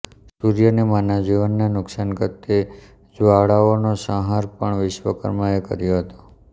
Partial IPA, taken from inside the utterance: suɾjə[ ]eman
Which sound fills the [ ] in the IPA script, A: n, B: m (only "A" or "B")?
A